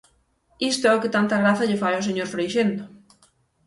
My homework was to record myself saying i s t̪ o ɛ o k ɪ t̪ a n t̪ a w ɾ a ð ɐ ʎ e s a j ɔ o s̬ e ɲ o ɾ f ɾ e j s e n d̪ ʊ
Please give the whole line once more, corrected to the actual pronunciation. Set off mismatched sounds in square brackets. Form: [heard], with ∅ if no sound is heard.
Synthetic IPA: i s t̪ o ɛ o k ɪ t̪ a n t̪ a [ɣ] ɾ a [θ] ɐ ʎ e [f] a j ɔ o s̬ e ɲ o ɾ f ɾ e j [ʃ] e n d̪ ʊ